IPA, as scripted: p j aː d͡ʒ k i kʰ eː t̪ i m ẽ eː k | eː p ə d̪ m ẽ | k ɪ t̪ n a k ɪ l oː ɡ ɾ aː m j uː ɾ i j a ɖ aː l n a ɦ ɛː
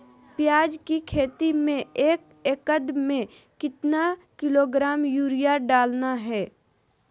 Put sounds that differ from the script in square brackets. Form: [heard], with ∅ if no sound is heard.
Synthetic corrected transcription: p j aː d͡ʒ k i kʰ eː t̪ i m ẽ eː k | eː [k] ə d̪ m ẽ | k ɪ t̪ n a k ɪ l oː ɡ ɾ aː m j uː ɾ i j a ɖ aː l n a ɦ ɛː